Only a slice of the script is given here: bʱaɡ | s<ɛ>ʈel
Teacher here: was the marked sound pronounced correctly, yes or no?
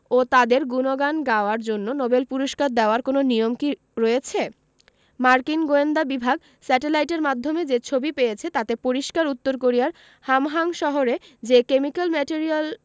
yes